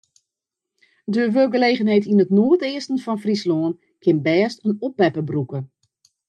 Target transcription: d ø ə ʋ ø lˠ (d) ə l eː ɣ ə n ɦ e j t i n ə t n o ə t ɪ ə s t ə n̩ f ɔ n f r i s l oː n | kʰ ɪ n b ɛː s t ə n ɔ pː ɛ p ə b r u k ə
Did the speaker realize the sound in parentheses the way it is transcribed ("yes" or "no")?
no